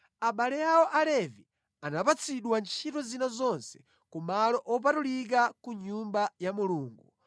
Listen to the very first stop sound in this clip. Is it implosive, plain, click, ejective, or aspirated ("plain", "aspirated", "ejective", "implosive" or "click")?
implosive